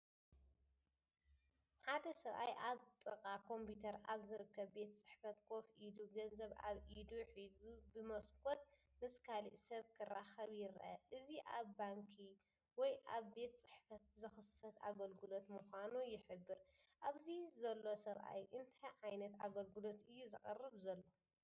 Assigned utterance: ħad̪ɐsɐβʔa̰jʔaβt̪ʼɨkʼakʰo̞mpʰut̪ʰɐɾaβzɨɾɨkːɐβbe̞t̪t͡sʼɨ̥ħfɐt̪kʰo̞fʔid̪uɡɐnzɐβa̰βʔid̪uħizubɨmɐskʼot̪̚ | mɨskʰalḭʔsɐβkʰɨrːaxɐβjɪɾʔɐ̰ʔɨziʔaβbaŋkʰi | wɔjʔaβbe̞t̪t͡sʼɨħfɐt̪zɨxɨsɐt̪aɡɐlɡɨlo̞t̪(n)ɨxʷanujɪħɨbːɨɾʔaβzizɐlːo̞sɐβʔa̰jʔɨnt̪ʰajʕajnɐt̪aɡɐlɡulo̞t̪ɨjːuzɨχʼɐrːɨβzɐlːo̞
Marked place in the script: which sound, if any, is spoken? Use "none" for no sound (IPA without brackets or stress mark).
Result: m